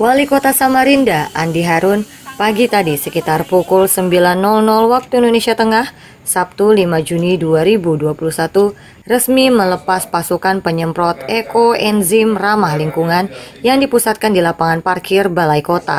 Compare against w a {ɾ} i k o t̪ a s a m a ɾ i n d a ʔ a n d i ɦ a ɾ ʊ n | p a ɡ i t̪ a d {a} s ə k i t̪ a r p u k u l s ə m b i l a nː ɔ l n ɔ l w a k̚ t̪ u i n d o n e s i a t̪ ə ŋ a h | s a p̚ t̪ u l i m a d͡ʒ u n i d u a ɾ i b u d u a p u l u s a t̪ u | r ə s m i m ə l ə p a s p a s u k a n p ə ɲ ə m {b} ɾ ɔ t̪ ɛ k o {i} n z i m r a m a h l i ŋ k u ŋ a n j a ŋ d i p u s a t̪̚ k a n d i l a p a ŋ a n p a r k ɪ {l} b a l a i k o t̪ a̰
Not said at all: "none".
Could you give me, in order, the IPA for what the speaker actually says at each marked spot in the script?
l, i, p, ɛ, r

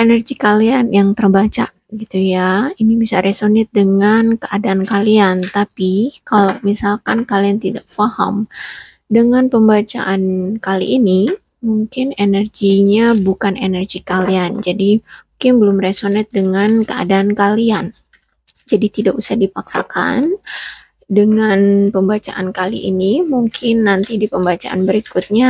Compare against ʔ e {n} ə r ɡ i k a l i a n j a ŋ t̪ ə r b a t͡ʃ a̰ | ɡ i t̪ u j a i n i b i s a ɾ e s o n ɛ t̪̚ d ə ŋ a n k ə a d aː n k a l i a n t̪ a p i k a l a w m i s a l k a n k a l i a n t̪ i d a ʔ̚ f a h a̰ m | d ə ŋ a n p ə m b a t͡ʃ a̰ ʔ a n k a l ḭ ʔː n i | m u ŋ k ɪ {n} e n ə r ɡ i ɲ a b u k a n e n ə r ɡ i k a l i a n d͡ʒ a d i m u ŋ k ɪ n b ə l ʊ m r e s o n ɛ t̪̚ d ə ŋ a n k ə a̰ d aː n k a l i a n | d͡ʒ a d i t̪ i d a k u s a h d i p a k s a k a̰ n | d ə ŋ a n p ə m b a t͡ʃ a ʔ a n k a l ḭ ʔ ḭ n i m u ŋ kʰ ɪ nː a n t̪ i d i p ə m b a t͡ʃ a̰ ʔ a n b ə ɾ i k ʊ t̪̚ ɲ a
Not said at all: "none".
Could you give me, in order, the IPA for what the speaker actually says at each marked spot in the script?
n, n

